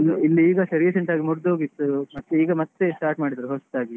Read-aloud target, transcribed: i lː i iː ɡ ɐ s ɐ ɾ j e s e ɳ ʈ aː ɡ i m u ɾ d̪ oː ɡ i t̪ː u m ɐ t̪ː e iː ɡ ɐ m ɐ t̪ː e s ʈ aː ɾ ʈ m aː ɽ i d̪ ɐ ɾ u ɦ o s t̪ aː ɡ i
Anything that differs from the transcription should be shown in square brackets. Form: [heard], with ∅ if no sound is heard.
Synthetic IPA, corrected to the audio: i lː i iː ɡ ɐ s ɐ ɾ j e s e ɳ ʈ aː ɡ i m u ɾ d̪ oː ɡ i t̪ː u m ɐ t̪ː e iː ɡ ɐ m ɐ t̪ː e s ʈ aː ɾ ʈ m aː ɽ i d̪ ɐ ɾ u ɦ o s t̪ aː ɡ i